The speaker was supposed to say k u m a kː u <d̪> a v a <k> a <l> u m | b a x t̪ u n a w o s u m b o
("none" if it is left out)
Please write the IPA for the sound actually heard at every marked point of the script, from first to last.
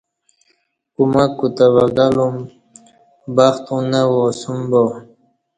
t̪, ɡ, l

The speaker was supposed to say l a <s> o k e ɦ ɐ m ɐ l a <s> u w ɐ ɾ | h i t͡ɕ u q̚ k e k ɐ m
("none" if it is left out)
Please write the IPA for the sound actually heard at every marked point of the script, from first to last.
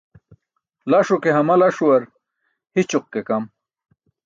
ʂ, ʂ

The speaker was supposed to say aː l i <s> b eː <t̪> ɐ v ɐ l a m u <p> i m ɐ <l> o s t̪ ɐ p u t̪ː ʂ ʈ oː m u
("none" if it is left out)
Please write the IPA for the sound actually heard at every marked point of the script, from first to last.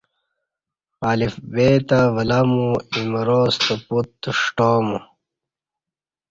f, t̪, none, ɾ

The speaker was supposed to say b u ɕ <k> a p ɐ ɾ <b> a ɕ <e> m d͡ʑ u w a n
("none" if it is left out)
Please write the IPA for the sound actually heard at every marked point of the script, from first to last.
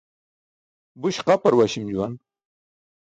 q, w, i

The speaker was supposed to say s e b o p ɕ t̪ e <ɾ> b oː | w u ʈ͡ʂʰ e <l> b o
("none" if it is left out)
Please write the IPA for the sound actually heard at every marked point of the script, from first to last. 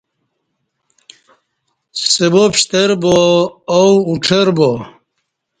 ɾ, ɾ

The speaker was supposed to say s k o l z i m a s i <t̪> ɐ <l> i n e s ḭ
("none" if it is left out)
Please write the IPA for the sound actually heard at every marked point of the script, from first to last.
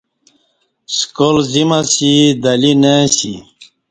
d̪, l

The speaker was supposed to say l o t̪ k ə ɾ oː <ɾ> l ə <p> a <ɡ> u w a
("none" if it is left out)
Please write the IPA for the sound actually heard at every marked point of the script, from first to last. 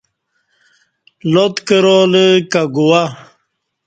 none, k, ɡ

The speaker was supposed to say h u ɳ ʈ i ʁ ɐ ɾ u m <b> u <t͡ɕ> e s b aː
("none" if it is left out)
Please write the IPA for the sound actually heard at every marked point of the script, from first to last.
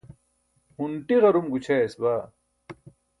ɡ, t͡ɕʰ

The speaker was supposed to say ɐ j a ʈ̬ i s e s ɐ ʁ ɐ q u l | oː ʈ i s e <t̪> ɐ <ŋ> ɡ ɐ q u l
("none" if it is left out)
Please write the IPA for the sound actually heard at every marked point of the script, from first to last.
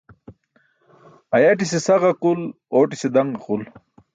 d̪, ŋ

